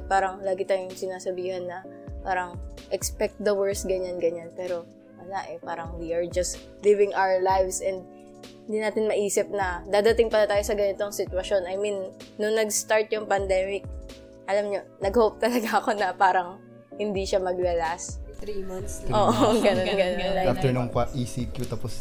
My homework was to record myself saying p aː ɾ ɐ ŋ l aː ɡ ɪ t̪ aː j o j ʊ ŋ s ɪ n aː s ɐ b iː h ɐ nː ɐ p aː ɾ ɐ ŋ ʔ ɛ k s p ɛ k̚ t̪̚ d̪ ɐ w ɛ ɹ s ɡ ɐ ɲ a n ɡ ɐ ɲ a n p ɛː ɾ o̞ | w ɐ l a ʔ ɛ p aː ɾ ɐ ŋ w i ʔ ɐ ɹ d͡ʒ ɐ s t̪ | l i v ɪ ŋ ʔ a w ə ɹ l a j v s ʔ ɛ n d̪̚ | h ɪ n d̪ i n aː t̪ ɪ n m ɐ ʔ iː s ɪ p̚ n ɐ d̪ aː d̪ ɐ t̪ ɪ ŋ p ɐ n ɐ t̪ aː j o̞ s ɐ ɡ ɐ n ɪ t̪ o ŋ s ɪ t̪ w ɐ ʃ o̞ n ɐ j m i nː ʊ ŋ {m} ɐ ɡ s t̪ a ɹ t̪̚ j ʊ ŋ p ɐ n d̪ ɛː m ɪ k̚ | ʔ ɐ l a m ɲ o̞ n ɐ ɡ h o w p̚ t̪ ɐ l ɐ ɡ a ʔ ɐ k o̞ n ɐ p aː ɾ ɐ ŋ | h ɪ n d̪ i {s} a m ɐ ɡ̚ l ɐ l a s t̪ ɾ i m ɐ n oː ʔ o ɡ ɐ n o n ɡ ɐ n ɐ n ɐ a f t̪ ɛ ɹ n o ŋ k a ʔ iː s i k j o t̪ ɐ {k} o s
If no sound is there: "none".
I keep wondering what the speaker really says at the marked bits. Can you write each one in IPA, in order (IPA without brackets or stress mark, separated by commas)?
n, ʃ, p